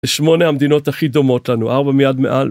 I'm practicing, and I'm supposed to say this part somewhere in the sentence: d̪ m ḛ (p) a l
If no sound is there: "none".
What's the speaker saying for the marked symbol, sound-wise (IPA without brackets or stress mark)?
ʔ